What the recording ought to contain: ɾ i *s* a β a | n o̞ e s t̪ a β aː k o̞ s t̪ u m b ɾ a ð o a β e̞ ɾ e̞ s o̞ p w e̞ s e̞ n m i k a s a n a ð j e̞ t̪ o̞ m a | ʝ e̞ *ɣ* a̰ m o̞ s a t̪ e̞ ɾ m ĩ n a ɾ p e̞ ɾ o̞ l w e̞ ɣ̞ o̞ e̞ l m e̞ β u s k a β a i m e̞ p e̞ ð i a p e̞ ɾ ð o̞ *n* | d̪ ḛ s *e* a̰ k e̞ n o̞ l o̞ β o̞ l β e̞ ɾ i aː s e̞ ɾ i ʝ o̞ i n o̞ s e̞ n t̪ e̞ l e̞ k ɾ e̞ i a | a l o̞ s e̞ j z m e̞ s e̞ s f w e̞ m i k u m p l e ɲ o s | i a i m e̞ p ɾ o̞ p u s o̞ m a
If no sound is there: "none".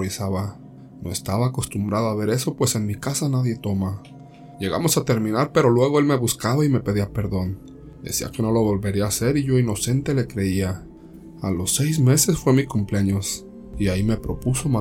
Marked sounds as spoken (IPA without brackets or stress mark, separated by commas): s, ɣ, n, i